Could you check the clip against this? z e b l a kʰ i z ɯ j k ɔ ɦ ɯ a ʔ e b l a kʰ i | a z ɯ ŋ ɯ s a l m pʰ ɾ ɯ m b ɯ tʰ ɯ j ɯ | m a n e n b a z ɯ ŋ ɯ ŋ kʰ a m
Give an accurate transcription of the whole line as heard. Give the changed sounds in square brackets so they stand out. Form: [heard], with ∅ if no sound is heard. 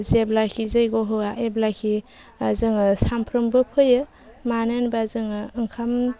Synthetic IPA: z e b l a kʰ i z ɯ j [ɡ] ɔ ɦ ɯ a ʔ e b l a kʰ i | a z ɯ ŋ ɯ s a [∅] m pʰ ɾ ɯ m b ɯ [pʰ] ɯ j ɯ | m a n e n b a z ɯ ŋ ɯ ŋ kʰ a m